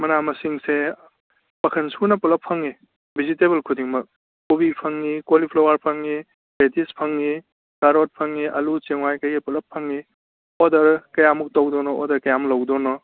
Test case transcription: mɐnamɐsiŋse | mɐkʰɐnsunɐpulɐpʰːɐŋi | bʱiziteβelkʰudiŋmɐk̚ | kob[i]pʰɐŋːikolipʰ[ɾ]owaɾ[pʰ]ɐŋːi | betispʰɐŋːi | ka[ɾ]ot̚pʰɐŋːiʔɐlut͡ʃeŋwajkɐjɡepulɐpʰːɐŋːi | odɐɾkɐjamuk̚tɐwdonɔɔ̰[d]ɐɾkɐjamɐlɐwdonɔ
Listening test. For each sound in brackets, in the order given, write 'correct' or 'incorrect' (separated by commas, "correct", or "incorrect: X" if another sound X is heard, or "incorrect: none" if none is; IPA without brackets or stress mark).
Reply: correct, incorrect: l, correct, correct, correct